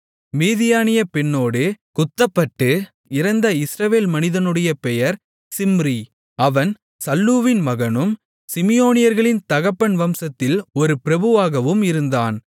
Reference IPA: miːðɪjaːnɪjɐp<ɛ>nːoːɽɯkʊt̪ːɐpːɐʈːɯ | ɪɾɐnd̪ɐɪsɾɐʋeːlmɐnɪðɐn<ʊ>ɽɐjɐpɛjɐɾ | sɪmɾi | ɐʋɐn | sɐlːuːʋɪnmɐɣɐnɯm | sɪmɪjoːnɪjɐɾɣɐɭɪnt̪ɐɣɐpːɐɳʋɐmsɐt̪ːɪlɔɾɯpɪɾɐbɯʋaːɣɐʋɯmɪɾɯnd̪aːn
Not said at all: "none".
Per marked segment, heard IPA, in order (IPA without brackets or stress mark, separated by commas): ɛ, ɯ